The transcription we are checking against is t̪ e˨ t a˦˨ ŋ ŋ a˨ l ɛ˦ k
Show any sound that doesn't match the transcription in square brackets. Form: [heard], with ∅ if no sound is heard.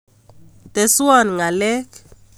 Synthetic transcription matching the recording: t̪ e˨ [s] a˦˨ [n] ŋ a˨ l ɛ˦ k